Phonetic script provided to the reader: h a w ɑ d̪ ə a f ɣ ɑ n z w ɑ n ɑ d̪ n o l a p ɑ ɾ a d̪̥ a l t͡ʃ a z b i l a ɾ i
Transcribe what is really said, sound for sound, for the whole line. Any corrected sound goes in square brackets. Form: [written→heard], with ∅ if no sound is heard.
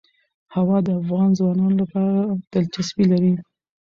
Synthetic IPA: h a w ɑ d̪ ə a f ɣ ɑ n z w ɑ n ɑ [d̪→∅] n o l a p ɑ ɾ a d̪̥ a l t͡ʃ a [z→s] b i l a ɾ i